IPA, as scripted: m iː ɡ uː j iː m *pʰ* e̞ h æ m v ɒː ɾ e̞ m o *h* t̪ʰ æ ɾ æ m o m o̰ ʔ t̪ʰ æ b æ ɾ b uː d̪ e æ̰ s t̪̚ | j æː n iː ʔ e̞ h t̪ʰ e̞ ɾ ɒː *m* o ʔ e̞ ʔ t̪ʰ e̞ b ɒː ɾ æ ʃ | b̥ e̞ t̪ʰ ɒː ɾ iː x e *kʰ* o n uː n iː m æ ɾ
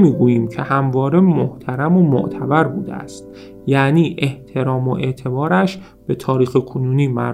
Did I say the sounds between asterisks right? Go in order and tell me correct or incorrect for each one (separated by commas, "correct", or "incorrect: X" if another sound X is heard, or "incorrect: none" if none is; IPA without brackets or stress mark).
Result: incorrect: cʰ, correct, correct, correct